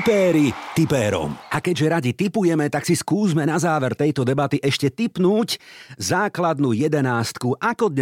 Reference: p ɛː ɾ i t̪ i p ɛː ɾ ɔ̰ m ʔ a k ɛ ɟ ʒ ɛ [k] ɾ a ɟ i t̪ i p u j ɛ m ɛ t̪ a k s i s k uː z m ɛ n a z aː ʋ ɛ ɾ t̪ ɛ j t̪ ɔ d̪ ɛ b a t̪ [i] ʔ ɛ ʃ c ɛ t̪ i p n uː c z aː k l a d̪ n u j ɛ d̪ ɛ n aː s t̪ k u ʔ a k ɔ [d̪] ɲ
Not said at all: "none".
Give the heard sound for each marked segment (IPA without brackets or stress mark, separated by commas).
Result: none, i, d̪